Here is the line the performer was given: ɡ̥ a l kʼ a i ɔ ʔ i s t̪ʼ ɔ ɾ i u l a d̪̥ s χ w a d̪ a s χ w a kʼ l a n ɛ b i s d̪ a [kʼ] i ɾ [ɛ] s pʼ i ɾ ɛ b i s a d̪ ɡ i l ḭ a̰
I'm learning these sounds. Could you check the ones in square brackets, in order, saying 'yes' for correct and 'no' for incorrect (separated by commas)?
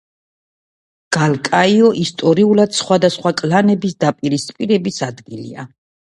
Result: no, no